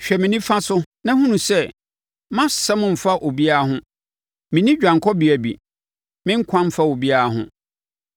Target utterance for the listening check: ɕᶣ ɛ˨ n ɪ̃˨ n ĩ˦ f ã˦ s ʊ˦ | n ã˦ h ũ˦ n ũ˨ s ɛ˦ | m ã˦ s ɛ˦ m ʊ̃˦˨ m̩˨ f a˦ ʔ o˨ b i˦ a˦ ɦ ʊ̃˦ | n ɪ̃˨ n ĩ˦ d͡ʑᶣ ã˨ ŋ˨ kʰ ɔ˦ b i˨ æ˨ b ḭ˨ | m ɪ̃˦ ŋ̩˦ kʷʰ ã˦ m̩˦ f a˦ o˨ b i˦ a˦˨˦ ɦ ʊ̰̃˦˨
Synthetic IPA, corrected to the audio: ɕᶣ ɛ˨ m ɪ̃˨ n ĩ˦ f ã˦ s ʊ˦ | n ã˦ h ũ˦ n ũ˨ s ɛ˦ | m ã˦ s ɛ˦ m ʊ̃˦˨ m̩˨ f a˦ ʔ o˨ b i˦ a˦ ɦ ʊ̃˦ | m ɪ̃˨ n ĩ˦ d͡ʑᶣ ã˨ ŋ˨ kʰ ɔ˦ b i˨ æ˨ b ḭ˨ | m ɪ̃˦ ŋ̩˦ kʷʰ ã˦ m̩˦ f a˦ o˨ b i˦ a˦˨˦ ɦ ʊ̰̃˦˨